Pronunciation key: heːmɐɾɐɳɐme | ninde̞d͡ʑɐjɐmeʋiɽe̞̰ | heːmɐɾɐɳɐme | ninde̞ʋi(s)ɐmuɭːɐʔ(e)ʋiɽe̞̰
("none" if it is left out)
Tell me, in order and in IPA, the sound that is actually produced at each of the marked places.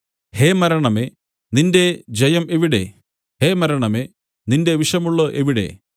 ʂ, e

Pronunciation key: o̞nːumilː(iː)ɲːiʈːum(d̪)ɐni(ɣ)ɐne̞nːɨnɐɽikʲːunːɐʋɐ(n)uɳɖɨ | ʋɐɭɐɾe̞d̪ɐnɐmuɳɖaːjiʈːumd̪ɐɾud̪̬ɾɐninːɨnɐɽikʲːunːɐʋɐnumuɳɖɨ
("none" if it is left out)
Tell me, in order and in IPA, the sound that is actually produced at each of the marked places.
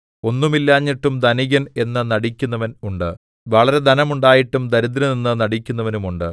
aː, d̪, ɣ, n

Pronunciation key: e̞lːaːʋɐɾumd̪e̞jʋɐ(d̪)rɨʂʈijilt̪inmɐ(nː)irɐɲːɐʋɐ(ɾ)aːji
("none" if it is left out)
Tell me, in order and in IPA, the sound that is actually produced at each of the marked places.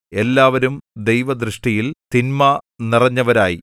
d̪, n, ɾ

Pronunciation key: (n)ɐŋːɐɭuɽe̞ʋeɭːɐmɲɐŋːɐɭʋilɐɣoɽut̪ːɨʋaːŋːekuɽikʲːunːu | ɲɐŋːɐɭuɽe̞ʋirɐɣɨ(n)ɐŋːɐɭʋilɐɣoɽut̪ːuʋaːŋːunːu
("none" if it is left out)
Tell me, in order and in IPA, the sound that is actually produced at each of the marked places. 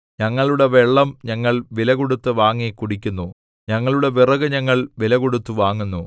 ɲ, ɲ

